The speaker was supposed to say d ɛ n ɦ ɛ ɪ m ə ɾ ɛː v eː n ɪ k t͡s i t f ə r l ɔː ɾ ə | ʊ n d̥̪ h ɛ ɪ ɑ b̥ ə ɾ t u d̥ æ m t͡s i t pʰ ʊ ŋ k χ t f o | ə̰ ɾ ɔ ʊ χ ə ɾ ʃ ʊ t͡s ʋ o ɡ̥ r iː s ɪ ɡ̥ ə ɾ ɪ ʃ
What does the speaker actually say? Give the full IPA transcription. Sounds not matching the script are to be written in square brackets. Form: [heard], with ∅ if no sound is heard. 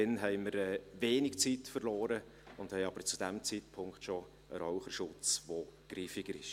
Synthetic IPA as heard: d ɛ n ɦ ɛ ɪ m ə ɾ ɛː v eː n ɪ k t͡s i t f ə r l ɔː ɾ ə | ʊ n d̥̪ h ɛ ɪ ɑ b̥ ə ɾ [t͡s] u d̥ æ m t͡s i t pʰ ʊ ŋ k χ t [ʃ] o | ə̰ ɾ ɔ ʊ χ ə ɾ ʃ ʊ t͡s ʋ o ɡ̥ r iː [f] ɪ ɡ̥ ə ɾ ɪ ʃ